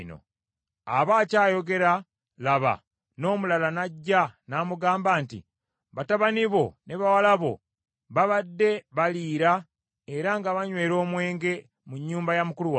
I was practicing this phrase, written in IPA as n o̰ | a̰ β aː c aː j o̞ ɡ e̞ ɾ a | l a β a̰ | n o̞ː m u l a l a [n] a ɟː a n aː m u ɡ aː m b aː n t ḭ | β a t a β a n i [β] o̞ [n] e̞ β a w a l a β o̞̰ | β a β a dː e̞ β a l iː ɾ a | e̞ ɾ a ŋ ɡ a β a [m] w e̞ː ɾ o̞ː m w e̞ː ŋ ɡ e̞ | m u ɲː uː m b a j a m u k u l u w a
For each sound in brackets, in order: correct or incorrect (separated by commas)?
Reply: correct, correct, correct, incorrect